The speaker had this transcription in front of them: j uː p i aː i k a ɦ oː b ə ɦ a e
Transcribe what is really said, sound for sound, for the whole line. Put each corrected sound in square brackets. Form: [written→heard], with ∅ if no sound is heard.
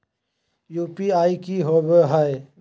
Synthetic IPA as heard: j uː p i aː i k [a→i] ɦ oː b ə ɦ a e